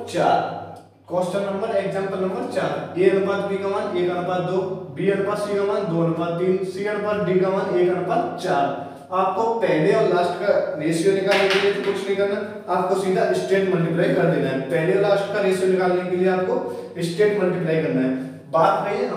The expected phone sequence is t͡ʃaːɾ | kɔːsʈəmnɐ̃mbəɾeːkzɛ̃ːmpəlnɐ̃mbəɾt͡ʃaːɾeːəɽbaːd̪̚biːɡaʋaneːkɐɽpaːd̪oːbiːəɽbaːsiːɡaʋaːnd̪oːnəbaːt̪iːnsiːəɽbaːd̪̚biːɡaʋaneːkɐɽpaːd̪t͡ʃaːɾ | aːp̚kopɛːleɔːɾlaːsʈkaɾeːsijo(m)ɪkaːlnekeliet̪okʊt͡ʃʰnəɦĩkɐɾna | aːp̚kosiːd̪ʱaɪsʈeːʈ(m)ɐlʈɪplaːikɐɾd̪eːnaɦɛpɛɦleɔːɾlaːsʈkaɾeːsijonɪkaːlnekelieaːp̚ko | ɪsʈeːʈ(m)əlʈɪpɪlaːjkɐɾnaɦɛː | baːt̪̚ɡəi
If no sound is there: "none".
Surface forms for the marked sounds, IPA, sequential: n, m, m

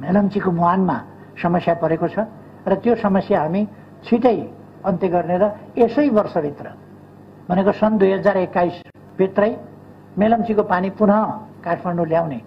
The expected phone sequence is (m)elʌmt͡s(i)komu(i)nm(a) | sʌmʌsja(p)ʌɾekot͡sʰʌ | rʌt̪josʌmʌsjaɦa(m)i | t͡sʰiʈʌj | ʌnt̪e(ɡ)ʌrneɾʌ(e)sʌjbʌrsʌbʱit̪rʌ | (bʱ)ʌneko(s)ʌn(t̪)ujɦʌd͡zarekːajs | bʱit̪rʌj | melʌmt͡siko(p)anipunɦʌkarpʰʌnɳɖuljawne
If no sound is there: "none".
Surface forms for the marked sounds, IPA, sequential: m, i, a, a, p, m, ɡ, e, bʱ, s, d̪, p

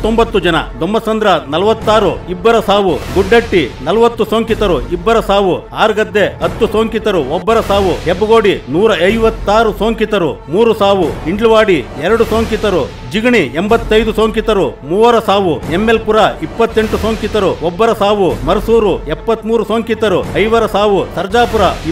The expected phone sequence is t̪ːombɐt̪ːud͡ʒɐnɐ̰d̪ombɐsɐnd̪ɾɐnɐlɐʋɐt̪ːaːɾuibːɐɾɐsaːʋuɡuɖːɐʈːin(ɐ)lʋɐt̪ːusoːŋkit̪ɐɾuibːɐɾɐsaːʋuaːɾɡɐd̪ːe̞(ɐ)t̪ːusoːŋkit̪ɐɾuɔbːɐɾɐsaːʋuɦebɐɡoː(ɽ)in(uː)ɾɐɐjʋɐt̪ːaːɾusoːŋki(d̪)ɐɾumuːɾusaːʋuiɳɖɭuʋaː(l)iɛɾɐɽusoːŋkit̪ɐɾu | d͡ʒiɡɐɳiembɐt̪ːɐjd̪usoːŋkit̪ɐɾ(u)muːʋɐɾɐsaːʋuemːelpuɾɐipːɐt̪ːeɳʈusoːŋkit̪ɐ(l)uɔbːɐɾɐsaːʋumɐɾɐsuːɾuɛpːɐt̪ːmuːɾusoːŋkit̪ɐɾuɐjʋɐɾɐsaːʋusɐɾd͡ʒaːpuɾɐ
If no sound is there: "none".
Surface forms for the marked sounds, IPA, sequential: ɐ, ɐ, ɽ, uː, t̪, ɽ, u, ɾ

